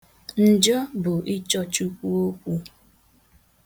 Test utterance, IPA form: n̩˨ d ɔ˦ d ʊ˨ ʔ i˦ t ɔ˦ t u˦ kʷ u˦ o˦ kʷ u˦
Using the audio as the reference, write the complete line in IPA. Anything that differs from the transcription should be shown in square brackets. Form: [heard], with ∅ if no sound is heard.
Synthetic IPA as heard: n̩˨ [d͡ʒ] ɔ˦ [b] ʊ˨ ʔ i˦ [t͡ʃ] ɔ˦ [t͡ʃ] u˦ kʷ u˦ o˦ kʷ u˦